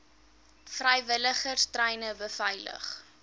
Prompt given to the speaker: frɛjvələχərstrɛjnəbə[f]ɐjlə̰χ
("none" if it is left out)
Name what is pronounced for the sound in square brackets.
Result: f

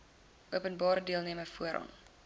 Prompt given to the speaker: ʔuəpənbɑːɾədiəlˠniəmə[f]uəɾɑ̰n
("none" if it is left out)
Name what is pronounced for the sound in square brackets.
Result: f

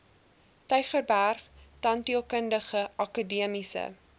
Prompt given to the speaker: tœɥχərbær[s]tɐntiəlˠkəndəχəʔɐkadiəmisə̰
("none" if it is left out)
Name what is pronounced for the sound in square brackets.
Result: χ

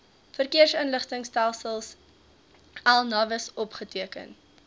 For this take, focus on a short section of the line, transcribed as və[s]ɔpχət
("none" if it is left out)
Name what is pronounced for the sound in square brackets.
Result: s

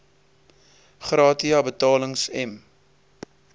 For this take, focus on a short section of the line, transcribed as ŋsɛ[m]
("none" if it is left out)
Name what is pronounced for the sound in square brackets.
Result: m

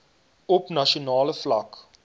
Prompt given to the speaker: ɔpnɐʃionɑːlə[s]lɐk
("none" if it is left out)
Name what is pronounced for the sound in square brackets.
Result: f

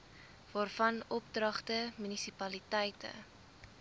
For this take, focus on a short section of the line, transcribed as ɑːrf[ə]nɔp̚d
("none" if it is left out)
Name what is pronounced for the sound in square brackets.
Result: ɐ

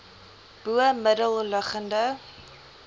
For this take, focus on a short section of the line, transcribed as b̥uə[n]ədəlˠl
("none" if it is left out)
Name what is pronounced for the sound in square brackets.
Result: m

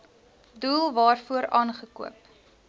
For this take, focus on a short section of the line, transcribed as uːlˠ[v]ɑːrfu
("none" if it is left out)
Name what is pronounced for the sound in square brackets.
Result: v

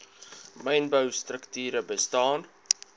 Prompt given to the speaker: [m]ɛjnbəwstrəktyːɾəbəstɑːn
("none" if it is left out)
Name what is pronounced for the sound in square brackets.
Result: m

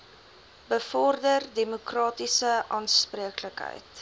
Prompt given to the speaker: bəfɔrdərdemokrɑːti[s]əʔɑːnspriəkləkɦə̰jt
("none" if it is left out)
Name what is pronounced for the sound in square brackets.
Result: s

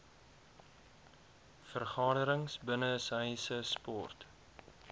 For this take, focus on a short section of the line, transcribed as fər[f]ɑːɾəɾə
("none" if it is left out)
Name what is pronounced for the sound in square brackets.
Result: χ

